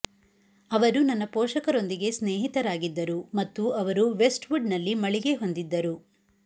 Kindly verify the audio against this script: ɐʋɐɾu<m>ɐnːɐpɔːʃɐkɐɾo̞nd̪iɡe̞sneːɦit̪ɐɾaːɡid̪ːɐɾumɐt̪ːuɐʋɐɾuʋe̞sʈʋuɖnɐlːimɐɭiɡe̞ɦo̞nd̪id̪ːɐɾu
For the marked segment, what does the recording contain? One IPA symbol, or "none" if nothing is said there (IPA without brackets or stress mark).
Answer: n